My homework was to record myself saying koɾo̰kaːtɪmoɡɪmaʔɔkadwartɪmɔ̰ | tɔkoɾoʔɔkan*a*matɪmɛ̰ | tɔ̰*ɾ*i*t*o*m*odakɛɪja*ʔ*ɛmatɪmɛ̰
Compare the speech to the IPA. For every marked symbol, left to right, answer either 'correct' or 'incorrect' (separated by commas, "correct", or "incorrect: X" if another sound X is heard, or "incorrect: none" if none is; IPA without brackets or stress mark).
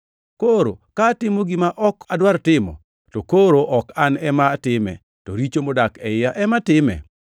incorrect: ɛ, correct, incorrect: t͡ʃ, correct, correct